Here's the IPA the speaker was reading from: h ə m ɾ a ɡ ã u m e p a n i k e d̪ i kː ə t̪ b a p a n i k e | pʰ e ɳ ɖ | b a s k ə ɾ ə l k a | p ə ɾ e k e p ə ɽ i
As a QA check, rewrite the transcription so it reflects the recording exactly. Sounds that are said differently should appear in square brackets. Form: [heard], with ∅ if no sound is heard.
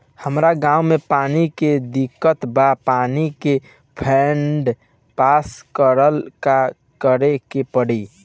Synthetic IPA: h ə m ɾ a ɡ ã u m e p a n i k e d̪ i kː ə t̪ b a p a n i k e | pʰ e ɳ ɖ | [p] a s k ə ɾ ə l k a | [k] ə ɾ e k e p ə ɽ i